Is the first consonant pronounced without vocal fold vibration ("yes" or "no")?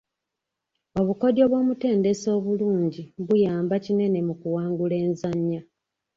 no